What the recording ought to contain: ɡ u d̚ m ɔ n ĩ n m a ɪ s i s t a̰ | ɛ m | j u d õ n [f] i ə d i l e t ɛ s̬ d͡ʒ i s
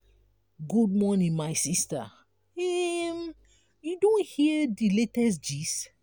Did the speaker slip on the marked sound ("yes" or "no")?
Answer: yes